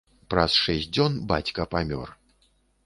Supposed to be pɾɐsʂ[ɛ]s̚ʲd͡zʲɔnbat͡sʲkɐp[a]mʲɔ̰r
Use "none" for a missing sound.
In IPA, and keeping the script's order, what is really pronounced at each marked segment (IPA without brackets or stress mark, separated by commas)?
ɛ, a